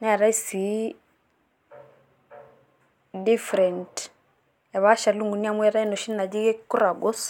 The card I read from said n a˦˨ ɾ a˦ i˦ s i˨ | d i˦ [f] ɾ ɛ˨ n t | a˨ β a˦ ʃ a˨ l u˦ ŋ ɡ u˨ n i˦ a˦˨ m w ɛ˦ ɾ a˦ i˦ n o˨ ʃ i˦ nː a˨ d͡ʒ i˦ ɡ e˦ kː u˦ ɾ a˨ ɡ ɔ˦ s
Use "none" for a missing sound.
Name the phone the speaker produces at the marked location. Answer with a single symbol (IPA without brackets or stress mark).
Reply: f